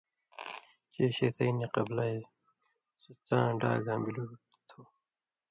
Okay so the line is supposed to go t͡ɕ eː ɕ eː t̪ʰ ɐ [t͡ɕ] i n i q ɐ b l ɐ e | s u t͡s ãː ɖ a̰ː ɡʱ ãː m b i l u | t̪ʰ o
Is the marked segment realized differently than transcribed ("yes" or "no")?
yes